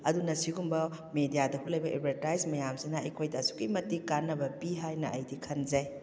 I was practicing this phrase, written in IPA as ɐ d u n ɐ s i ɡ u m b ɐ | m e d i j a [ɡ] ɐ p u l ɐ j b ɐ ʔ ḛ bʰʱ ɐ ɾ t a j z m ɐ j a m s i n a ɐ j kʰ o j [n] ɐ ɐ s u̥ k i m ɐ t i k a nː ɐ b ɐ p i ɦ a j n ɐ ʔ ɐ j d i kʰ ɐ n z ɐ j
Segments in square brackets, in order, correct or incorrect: incorrect: d, incorrect: d

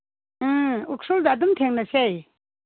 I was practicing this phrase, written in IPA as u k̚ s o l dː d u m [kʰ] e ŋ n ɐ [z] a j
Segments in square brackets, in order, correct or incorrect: incorrect: tʰ, incorrect: s

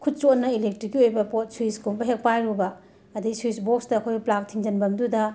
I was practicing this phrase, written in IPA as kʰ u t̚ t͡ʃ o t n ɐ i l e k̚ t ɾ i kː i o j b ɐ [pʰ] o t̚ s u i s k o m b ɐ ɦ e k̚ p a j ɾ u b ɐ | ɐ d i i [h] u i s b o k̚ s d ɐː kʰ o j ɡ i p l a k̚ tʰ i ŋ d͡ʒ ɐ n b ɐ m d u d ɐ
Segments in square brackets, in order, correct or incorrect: incorrect: p, incorrect: s

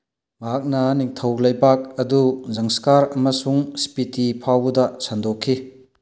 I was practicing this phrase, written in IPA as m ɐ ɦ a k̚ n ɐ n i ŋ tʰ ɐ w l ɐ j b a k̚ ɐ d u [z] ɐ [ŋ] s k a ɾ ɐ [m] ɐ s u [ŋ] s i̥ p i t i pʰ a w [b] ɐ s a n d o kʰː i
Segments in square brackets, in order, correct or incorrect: correct, correct, correct, correct, incorrect: d

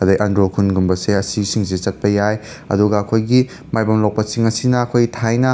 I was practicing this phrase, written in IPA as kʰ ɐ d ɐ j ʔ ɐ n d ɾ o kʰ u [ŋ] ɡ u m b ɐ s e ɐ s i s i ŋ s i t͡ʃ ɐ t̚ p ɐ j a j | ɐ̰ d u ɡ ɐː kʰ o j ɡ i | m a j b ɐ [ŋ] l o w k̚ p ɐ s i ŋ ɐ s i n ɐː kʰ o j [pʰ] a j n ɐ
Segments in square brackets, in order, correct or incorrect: incorrect: n, incorrect: m, incorrect: tʰ

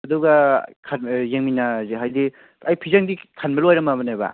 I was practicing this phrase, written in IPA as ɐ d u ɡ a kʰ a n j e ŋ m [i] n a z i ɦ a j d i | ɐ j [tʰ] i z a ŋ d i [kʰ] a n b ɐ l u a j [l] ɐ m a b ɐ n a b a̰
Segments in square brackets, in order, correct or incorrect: correct, incorrect: pʰ, correct, incorrect: ɾ

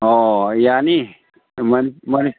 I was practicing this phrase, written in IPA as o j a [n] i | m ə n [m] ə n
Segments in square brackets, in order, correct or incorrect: correct, correct

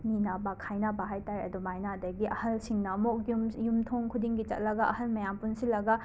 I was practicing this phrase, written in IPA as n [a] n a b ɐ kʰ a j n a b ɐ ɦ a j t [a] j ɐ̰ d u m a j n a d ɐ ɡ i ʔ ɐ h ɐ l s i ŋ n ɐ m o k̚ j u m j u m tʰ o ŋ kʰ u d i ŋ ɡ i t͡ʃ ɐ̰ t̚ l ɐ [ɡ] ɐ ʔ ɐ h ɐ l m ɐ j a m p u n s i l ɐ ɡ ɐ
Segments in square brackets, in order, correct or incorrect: incorrect: i, correct, correct

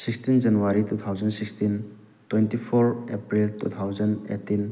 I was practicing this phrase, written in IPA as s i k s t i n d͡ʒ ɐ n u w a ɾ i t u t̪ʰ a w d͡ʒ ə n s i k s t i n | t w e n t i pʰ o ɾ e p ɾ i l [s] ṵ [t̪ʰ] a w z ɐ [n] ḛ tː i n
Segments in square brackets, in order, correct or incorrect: incorrect: t, correct, correct

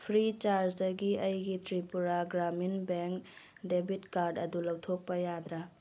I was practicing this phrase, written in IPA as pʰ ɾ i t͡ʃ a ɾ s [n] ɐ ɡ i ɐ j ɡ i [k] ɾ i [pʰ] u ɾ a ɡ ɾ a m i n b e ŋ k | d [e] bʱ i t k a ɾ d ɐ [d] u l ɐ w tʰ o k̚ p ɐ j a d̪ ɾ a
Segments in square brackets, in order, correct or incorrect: incorrect: d, incorrect: t, incorrect: p, correct, correct

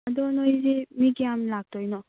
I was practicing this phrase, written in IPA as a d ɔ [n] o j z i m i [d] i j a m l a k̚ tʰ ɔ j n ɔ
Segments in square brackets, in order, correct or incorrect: correct, incorrect: ɡ

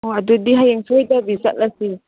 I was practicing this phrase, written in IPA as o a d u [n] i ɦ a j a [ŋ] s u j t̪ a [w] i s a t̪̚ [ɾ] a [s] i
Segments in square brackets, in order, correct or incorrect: incorrect: d, correct, incorrect: b, incorrect: l, correct

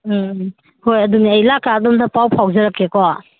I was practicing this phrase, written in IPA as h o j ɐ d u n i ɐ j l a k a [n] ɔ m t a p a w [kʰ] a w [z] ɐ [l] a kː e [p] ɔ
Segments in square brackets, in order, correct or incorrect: incorrect: d, incorrect: pʰ, correct, incorrect: ɾ, incorrect: k

